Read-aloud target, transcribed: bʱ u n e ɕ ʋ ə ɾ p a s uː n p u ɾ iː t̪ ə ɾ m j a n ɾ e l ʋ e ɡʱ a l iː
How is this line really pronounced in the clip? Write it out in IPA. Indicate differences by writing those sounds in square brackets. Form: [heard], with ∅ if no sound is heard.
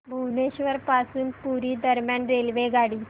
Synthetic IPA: bʱ u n e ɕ ʋ ə ɾ p a s uː n p u ɾ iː [d̪] ə ɾ m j a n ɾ e l ʋ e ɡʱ a [ɽ] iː